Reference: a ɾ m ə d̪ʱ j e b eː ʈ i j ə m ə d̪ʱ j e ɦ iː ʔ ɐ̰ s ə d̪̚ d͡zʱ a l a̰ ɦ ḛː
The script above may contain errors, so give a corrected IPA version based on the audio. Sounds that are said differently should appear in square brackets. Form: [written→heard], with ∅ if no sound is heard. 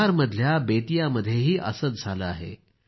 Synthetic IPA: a ɾ m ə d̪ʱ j [e→a] b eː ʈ i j [ə→a] m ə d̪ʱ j e ɦ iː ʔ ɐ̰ s ə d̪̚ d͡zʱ a l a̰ ɦ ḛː